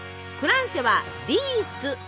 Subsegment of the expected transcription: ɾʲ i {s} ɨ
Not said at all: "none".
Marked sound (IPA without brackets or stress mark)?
s